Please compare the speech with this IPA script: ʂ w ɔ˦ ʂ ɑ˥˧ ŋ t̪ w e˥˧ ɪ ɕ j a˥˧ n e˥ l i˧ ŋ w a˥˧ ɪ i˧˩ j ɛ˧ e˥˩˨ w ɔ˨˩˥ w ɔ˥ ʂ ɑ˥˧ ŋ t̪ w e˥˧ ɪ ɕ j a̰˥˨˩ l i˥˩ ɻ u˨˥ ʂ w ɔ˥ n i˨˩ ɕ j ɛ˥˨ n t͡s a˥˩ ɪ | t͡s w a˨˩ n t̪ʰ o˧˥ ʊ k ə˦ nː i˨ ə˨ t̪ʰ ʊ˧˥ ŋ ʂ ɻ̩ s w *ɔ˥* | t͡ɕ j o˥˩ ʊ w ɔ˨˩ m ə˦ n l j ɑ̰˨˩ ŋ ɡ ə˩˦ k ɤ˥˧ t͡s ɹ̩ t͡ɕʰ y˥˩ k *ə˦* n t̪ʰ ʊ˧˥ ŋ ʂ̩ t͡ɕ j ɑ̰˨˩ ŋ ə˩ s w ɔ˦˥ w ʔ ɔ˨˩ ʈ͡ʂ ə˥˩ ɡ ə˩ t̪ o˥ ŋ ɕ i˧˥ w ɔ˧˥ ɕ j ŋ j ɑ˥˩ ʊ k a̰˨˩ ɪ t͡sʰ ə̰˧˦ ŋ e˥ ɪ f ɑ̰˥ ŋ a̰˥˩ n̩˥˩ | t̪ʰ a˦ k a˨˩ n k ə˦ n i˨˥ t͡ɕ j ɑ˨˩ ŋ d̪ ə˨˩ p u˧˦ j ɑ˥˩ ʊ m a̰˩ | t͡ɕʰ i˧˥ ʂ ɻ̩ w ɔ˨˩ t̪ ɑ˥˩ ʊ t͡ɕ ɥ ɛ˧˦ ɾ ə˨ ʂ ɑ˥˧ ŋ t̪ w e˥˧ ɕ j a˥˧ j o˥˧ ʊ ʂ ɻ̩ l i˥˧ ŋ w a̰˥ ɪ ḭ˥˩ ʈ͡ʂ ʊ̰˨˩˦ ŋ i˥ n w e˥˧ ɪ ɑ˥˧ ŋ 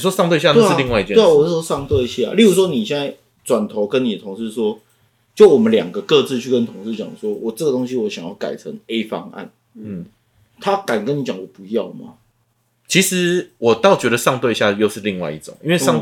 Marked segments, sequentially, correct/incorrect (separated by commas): correct, correct